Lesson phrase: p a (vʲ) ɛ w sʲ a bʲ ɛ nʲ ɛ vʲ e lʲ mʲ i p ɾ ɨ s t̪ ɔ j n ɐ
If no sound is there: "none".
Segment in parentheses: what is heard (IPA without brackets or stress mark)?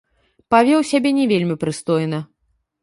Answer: vʲ